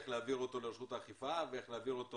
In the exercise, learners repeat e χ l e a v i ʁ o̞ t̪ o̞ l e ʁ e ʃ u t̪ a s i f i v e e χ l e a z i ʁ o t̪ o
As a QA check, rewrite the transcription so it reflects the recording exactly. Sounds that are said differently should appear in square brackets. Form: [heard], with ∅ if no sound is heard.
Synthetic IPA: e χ l e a v i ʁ o̞ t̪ o̞ l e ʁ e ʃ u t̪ a [χ] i f [a] v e e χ l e a [v] i ʁ o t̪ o